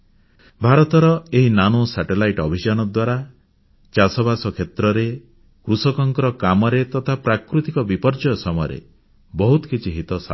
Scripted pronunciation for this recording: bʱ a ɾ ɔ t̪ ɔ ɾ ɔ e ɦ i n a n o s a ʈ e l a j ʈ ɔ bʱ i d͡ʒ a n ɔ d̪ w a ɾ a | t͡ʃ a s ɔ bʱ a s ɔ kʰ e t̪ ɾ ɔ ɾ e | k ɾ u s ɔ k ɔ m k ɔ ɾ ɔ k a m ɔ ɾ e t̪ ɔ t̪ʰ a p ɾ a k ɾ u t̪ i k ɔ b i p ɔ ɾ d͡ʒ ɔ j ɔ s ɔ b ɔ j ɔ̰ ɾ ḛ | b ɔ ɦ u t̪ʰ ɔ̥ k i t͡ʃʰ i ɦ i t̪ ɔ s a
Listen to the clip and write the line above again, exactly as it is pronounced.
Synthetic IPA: bʱ a ɾ ɔ t̪ ɔ ɾ ɔ e ɦ i n a n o s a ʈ e l a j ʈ ɔ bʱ i d͡ʒ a n ɔ d̪ w a ɾ a | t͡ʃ a s ɔ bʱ a s ɔ kʰ e t̪ ɾ ɔ ɾ e | k ɾ u s ɔ k ɔ ŋ k ɔ ɾ ɔ k a m ɔ ɾ e t̪ ɔ t̪ʰ a p ɾ a k ɾ u t̪ i k ɔ b i p ɔ ɾ d͡ʒ ɔ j ɔ s ɔ m ɔ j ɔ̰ ɾ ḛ | b ɔ ɦ u t̪ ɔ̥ k i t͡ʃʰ i ɦ i t̪ ɔ s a